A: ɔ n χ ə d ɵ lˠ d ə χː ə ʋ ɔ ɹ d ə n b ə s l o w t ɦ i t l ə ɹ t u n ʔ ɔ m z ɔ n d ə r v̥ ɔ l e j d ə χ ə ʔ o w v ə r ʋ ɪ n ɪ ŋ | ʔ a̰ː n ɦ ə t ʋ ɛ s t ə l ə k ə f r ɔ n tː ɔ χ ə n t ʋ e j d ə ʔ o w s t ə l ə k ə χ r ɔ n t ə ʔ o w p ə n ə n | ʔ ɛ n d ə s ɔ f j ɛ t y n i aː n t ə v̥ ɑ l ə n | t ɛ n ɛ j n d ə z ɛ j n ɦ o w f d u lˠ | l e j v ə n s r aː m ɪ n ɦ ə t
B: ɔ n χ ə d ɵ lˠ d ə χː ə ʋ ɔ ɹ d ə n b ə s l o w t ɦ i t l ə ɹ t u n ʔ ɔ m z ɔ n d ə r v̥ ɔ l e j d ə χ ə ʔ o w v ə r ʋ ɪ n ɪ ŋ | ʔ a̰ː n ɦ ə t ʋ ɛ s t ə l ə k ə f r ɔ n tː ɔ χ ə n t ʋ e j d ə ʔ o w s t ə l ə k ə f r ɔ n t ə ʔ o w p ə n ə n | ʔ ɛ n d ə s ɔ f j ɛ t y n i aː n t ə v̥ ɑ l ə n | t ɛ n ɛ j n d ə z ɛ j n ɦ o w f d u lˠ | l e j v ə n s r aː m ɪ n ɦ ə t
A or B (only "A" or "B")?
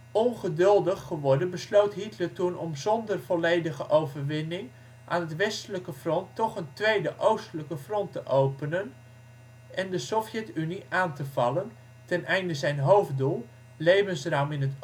B